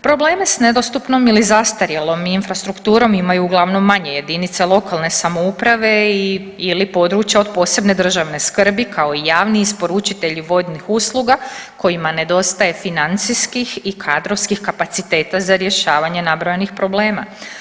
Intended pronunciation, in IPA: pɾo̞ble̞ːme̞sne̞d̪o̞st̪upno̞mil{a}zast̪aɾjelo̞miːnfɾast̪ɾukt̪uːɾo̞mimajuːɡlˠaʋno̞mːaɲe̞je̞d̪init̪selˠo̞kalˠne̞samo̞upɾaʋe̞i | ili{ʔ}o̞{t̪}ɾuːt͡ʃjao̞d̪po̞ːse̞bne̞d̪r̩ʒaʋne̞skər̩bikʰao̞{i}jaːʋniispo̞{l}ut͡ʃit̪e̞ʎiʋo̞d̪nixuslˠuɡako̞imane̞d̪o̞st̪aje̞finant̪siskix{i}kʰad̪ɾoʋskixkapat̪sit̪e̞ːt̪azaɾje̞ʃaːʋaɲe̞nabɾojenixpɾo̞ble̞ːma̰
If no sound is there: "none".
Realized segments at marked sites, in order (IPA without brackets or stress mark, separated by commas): i, p, d̪, i, ɾ, i